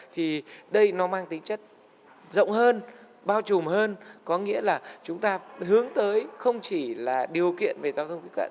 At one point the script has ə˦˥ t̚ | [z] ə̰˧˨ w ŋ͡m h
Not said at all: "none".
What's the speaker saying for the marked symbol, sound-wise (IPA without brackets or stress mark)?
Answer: z